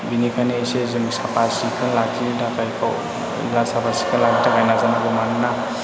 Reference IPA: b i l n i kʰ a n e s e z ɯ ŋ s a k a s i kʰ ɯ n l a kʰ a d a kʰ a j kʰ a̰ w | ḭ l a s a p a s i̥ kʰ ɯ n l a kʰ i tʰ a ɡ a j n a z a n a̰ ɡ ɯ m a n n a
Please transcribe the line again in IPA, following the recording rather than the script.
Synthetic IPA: b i n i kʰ a n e s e z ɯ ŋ s a p a s i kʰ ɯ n l a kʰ i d a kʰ a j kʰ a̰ w | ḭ l a s a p a s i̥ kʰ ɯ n l a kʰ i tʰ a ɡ a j n a z a n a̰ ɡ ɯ m a n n a

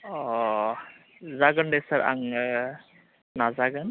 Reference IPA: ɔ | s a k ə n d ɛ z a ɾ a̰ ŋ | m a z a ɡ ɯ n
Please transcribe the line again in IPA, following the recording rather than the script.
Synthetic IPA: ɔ | z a ɡ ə n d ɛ s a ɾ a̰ ŋ | n a z a ɡ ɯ n

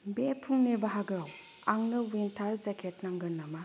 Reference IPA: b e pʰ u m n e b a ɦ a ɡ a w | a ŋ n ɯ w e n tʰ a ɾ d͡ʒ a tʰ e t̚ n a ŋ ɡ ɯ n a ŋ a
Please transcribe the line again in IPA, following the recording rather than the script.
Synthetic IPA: b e pʰ u ŋ n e b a ɦ a ɡ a w | a ŋ n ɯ w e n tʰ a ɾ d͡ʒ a kʰ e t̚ n a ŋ ɡ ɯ n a m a

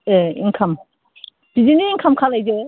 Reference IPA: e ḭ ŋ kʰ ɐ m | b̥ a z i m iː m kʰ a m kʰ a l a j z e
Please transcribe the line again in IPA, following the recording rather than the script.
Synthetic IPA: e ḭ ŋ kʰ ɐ m | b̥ i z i n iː ŋ kʰ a m kʰ a l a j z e

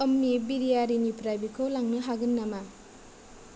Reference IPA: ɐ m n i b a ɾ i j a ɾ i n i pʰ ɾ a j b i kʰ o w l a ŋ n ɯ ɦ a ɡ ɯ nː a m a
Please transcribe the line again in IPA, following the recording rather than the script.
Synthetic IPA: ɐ m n i b i ɾ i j a ɾ i n i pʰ ɾ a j b i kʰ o w l a ŋ n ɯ ɦ a ɡ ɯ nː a m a

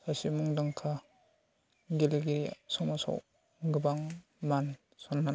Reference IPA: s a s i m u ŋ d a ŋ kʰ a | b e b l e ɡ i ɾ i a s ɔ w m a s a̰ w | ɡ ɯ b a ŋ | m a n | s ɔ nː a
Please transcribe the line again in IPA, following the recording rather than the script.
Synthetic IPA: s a s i m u ŋ d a ŋ kʰ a | ɡ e l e ɡ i ɾ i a s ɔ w m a s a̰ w | ɡ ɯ b a ŋ | m a n | s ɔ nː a

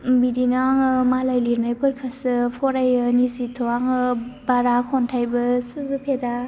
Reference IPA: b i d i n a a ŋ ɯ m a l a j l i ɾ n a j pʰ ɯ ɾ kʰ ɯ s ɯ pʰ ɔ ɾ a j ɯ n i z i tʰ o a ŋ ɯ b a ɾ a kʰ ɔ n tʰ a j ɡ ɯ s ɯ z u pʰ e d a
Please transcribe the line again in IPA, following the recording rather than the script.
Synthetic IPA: b i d i n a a ŋ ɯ m a l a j l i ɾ n a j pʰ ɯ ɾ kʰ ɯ s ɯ pʰ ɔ ɾ a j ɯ n i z i tʰ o a ŋ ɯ b a ɾ a kʰ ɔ n tʰ a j b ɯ s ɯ z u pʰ e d a

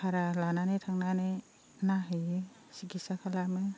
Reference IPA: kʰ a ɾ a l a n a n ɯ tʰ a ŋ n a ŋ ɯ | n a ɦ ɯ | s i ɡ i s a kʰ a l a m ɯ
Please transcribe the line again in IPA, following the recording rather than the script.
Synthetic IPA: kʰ a ɾ a l a n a n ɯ tʰ a ŋ n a n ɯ | n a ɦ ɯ | s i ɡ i s a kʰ a l a m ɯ

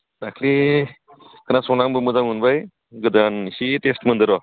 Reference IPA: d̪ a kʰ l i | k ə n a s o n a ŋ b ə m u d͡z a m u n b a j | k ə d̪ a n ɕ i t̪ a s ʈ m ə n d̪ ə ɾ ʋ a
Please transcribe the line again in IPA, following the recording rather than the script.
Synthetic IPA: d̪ a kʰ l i | k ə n a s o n a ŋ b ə m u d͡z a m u n b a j | ɡ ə d̪ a n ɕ i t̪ e s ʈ m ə n d̪ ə ɾ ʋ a

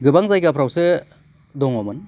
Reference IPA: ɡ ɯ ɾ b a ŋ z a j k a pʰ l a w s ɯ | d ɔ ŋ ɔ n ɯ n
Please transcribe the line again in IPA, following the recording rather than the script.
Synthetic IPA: ɡ ɯ b a ŋ z a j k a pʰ ɾ a w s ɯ | d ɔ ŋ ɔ m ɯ n

